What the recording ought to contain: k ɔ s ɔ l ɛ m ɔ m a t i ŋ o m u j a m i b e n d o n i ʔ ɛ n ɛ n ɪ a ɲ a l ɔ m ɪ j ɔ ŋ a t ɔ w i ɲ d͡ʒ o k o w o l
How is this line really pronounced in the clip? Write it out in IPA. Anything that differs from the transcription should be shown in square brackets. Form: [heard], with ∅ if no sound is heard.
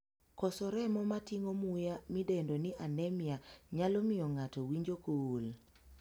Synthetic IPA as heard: k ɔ s ɔ [ɾ] ɛ m ɔ m a t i ŋ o m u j a m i [d] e n d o n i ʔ [a] n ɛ [m] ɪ a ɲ a l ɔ m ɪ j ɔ ŋ a t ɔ w i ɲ d͡ʒ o k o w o l